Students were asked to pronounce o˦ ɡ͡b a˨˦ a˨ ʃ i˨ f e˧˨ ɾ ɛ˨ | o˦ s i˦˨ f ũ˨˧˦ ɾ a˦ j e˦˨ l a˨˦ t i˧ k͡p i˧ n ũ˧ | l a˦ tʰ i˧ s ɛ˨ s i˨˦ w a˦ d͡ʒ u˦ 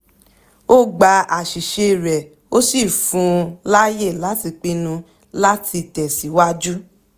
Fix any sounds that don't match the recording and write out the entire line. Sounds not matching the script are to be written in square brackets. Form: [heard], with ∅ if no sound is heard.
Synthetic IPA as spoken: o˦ ɡ͡b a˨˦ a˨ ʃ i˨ [ʃ] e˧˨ ɾ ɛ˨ | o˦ s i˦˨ f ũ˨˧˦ [l] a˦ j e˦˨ l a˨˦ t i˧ k͡p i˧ n ũ˧ | l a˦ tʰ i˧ [t] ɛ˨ s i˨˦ w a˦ d͡ʒ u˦